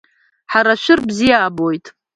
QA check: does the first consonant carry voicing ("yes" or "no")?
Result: no